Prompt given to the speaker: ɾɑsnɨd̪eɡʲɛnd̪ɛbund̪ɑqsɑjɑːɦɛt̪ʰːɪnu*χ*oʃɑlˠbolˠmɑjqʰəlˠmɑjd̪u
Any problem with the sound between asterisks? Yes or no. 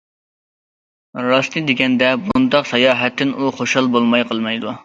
no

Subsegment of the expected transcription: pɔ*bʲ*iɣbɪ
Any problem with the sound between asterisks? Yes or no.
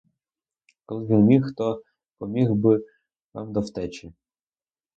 yes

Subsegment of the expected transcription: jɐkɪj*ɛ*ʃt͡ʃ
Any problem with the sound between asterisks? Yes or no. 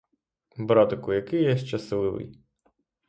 no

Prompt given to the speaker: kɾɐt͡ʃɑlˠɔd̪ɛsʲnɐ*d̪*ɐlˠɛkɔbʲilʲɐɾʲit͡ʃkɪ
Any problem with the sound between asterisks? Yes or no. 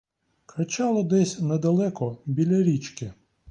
no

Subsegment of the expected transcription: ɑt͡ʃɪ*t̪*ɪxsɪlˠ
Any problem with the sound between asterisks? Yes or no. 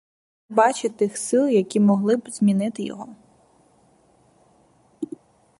no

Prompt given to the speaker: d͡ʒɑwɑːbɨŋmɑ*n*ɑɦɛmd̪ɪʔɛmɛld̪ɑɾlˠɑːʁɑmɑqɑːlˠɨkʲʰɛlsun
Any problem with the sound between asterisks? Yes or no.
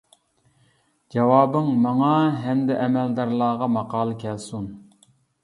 yes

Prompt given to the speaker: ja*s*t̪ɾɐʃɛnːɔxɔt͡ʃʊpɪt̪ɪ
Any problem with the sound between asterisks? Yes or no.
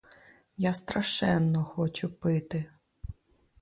no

